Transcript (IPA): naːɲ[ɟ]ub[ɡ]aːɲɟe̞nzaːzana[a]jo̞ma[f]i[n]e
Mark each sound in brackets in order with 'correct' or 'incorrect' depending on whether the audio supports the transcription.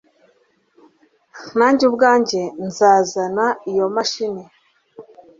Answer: correct, correct, incorrect: i, incorrect: ʃ, correct

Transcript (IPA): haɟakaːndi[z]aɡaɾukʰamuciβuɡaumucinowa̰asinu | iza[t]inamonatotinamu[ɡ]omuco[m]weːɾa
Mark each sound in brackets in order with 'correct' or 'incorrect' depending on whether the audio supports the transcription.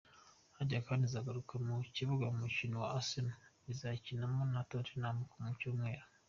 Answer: correct, incorrect: c, incorrect: k, correct

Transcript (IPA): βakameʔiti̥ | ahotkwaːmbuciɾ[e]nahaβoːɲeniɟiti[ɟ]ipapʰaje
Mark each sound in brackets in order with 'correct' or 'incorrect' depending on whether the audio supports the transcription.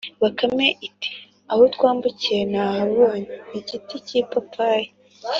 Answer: correct, incorrect: c

